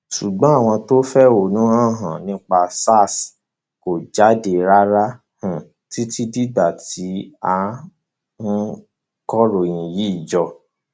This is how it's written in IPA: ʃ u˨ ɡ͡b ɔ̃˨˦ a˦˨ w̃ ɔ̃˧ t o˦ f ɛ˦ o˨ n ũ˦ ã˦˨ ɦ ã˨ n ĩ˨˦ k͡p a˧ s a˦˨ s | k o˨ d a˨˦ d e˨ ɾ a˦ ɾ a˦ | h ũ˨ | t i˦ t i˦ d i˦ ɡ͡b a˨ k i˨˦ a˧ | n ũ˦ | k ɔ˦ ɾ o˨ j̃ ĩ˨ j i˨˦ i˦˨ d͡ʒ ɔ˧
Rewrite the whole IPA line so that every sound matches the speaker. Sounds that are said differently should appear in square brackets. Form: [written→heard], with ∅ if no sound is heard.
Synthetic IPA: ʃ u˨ ɡ͡b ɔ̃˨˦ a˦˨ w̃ ɔ̃˧ t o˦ f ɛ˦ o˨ n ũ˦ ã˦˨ ɦ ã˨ n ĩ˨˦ k͡p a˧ s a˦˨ s | k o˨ [d→d͡ʒ] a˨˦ d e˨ ɾ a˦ ɾ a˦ | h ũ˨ | t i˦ t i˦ d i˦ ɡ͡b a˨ [k→t] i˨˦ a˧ | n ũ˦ | k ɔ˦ ɾ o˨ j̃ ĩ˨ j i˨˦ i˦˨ d͡ʒ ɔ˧